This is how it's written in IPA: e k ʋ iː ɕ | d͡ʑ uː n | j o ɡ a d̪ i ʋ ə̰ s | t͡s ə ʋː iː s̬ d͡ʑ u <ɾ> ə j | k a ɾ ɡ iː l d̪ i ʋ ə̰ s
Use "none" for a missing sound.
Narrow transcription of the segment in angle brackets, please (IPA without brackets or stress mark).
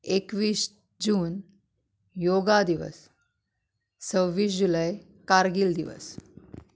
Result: l